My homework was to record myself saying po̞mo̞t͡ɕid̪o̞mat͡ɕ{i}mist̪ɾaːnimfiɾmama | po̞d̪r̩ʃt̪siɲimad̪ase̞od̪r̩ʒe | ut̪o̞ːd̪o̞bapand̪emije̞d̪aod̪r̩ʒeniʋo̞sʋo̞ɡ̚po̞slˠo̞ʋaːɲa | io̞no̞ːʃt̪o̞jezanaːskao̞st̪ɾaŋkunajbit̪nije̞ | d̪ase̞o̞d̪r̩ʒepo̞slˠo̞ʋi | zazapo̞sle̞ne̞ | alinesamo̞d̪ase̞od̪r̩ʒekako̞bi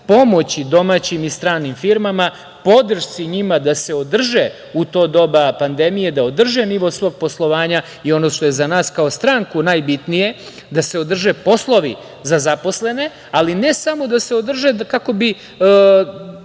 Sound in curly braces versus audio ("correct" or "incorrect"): correct